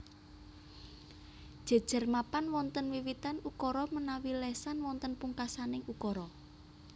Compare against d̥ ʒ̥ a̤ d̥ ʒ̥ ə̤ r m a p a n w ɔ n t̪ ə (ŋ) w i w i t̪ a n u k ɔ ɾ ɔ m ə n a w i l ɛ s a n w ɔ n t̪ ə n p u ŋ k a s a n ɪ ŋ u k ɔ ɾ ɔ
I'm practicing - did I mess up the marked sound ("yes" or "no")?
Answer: yes